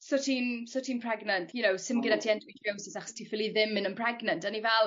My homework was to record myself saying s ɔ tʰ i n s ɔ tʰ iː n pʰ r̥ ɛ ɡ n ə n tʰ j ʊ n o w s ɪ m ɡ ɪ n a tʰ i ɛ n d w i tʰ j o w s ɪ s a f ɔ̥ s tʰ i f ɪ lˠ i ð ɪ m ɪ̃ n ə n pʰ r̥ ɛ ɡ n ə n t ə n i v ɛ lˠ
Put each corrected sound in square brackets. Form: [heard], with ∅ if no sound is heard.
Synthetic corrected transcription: s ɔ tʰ i n s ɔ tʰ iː n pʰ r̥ ɛ ɡ n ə n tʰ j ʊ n o w s ɪ m ɡ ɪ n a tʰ i ɛ n d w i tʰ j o w s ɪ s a [χ] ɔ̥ s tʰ i f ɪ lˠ i ð ɪ m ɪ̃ n ə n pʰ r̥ ɛ ɡ n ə n t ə n i v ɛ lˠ